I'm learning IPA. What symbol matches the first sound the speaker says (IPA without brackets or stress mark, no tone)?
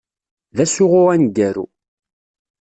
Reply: ð